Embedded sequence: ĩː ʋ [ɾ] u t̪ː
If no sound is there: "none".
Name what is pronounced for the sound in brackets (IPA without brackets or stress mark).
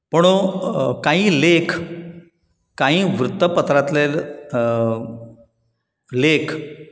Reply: ɾ